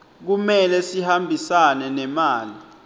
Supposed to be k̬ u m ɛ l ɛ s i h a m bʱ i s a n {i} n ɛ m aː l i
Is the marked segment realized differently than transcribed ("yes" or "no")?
yes